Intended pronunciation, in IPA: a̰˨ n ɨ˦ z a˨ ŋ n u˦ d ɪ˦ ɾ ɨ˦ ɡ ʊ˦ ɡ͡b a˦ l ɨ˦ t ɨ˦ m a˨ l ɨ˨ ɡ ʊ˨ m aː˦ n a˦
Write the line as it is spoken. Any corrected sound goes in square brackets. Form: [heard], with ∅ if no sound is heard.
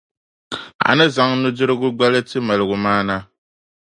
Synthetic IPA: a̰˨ n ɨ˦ z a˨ ŋ n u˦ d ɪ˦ ɾ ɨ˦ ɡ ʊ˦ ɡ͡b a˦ l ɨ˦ t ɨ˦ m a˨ l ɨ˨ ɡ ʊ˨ m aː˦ n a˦